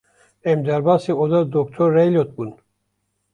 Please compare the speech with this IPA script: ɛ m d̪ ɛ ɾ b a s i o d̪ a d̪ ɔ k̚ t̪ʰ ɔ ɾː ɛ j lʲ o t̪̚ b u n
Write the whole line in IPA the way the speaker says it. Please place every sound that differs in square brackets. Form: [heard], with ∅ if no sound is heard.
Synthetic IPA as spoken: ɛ m d̪ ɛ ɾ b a s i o d̪ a d̪ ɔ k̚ t̪ʰ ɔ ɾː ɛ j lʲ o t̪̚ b u n